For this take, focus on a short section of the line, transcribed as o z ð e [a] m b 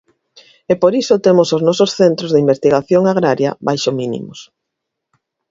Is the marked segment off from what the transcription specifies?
yes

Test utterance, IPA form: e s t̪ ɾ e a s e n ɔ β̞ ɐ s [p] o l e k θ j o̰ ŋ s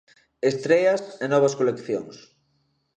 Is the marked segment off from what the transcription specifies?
yes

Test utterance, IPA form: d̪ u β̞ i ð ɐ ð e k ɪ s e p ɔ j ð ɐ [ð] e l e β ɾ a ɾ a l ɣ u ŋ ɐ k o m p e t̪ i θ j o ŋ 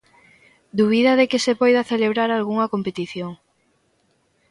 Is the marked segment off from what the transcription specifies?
yes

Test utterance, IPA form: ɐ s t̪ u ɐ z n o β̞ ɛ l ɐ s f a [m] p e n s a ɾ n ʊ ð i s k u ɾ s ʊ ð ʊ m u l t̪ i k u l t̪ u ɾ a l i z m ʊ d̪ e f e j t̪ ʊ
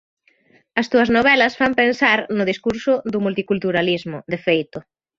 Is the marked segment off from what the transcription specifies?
no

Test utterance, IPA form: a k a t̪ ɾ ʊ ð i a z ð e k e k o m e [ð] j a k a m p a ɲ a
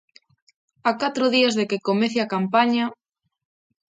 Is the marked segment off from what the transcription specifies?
yes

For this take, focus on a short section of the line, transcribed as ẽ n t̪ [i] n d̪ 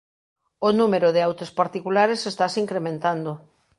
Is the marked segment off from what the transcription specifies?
yes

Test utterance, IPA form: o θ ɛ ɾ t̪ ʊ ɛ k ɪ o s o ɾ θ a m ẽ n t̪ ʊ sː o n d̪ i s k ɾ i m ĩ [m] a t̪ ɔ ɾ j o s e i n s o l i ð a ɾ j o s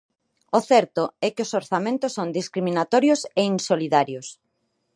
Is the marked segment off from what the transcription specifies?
yes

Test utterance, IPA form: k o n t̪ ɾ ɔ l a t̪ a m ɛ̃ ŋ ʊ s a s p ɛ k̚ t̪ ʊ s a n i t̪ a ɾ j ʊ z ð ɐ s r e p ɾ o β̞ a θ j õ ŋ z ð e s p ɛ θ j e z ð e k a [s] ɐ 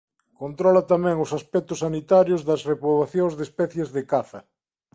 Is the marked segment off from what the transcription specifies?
yes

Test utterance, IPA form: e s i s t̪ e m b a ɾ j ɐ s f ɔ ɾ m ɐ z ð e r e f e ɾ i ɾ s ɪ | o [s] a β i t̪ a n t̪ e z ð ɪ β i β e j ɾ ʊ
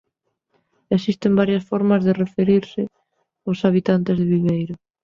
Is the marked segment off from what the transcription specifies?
no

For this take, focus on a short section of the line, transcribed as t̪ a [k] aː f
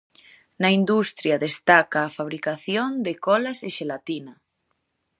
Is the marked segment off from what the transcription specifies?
no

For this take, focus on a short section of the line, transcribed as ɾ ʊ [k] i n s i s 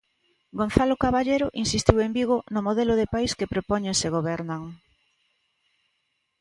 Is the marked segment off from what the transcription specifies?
yes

